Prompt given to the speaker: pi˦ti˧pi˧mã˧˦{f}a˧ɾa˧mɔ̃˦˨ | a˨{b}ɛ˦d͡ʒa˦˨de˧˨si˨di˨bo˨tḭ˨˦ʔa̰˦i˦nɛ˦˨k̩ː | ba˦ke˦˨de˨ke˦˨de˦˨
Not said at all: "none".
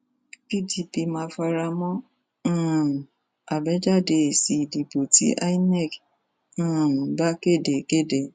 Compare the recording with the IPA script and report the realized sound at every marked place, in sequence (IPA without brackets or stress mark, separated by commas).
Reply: f, b